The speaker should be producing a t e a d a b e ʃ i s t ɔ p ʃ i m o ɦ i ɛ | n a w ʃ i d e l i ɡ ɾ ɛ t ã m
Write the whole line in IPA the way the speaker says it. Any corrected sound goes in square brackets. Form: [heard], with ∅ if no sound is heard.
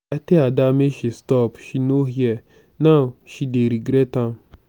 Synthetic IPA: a t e a d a [m] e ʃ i s t ɔ p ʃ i [n] o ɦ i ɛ | n a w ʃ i d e [ɾ] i ɡ ɾ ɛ t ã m